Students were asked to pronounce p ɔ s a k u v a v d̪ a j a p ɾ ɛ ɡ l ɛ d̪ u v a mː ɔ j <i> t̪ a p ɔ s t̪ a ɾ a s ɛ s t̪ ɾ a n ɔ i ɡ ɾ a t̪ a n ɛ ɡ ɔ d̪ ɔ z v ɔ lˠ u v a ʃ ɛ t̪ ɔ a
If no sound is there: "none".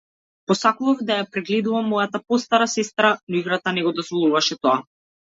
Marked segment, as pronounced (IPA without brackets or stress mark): a